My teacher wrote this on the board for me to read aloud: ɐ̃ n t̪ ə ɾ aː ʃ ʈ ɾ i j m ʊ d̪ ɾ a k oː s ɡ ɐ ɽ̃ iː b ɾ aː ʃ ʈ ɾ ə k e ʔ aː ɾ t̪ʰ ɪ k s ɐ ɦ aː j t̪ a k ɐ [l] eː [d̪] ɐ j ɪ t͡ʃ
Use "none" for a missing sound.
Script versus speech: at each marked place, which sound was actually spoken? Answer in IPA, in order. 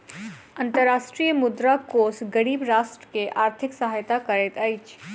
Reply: ɾ, t̪

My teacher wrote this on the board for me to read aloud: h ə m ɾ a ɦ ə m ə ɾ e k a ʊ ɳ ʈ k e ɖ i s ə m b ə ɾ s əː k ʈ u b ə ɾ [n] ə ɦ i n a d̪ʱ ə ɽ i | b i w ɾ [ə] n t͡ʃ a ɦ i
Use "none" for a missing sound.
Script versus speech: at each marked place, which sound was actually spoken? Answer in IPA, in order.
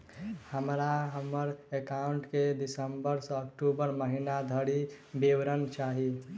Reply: m, ə

